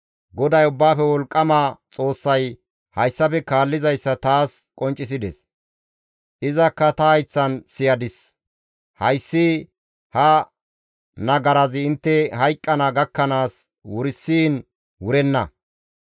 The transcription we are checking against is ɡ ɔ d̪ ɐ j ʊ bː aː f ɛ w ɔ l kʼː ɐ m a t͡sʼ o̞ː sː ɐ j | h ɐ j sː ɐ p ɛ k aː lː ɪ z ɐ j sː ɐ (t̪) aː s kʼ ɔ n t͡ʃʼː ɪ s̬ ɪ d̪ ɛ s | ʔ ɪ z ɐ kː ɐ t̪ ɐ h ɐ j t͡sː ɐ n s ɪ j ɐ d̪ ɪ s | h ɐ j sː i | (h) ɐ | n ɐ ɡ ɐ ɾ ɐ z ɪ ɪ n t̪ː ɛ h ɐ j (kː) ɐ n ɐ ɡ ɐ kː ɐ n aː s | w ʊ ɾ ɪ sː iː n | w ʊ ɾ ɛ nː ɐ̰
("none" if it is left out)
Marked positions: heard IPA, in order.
t̪, h, kʼː

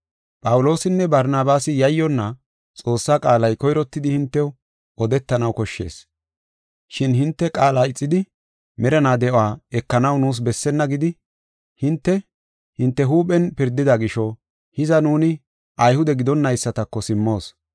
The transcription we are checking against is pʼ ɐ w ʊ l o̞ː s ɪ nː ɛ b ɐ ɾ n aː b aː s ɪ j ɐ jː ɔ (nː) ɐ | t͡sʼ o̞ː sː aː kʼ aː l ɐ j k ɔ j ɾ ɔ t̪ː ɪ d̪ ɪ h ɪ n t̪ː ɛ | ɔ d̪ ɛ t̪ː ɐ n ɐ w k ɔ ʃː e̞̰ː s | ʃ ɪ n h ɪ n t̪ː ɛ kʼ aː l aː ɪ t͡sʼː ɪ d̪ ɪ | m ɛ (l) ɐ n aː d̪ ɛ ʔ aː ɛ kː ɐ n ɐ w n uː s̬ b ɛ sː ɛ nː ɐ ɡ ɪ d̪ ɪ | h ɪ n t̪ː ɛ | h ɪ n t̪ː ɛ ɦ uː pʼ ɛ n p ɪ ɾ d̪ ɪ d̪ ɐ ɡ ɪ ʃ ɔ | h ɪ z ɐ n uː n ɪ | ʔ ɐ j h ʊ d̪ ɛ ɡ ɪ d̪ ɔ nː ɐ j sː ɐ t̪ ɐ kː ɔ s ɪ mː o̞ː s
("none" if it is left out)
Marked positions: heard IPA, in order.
nː, ɾ

